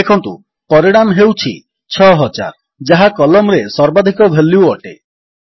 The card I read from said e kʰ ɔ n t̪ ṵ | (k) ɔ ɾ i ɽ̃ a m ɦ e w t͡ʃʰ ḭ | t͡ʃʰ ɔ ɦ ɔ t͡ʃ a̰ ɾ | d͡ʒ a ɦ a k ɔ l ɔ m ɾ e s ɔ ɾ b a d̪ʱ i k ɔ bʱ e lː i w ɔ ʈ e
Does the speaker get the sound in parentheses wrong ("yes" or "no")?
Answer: yes